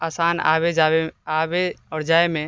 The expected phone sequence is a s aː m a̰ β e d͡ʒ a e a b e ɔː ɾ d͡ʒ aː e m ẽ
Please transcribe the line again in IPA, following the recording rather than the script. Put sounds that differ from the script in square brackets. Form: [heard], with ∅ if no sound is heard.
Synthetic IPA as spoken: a s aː [n] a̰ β e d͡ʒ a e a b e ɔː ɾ d͡ʒ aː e m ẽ